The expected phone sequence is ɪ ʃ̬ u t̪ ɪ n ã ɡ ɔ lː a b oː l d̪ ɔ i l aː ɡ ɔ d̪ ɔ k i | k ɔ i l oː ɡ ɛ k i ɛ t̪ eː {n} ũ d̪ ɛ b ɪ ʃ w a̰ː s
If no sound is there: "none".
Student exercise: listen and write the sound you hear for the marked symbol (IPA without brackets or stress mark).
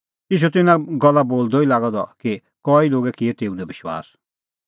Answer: none